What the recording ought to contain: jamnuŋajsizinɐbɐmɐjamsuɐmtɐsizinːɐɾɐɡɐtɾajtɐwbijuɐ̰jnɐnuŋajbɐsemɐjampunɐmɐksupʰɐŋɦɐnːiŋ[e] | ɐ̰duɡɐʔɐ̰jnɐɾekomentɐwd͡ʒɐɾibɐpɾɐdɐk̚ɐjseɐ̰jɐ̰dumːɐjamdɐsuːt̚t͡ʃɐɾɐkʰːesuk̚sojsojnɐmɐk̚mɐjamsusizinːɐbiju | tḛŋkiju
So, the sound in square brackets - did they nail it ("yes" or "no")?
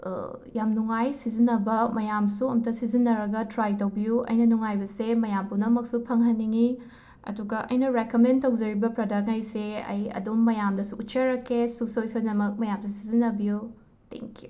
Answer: no